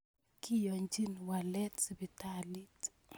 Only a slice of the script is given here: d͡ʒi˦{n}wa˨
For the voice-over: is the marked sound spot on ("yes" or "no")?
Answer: yes